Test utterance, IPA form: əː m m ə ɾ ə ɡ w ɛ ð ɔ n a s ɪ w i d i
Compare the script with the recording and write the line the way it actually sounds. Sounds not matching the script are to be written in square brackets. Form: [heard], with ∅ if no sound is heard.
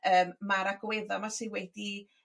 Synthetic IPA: əː m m [a] ɾ [a] ɡ w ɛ ð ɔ [m] a s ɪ w [ɛ] d i

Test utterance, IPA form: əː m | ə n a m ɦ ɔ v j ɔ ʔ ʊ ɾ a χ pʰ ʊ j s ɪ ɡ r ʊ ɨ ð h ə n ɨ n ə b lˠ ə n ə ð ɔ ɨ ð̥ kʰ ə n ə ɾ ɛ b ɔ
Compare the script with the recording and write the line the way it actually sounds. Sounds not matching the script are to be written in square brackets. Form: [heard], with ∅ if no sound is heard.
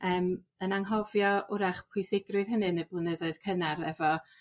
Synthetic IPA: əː m | ə n a [ŋ] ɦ ɔ v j ɔ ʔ ʊ ɾ a χ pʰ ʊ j s ɪ ɡ r ʊ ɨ ð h ə n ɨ n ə b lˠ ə n ə ð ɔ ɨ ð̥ kʰ ə n [a] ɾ ɛ [v] ɔ

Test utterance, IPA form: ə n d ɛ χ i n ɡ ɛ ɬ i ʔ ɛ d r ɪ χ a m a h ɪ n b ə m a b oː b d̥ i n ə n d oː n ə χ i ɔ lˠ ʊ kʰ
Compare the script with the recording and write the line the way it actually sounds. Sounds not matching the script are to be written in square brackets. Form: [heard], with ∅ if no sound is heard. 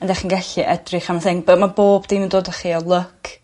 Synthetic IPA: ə n d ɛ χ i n ɡ ɛ ɬ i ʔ ɛ d r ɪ χ a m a [θ] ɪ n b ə m a b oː b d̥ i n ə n d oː [d] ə χ i ɔ lˠ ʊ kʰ

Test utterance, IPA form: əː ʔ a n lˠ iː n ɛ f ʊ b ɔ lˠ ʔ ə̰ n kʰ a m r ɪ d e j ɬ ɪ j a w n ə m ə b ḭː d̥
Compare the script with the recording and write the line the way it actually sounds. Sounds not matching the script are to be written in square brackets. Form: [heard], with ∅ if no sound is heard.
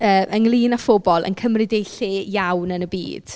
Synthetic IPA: əː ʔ [ə] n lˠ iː n [a] f ʊ b ɔ lˠ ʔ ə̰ n kʰ [ə] m r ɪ d e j ɬ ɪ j a w n ə [n] ə b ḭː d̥

